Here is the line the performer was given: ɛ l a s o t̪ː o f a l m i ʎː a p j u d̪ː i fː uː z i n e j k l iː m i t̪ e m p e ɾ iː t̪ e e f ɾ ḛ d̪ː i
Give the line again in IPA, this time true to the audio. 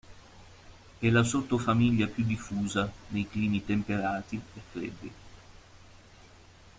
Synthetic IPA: ɛ l a s o t̪ː o f a m i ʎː a p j u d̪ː i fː uː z a n e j k l iː m i t̪ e m p e ɾ aː t̪ i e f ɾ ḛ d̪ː i